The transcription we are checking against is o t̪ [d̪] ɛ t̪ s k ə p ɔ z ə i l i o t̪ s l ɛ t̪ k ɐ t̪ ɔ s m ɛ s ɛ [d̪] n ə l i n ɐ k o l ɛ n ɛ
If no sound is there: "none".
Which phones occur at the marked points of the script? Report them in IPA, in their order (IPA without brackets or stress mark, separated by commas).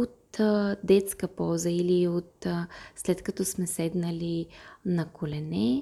d̪, d̪